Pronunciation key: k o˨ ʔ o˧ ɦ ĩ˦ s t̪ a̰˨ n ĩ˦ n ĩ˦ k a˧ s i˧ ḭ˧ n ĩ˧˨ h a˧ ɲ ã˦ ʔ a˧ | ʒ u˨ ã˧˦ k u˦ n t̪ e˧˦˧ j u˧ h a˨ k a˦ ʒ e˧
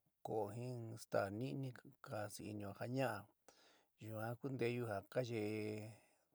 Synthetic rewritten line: k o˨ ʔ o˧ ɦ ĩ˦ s t̪ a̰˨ n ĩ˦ n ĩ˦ k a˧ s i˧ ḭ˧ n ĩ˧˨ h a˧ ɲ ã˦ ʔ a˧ | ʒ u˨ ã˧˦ k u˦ n d̪ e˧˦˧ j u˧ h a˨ k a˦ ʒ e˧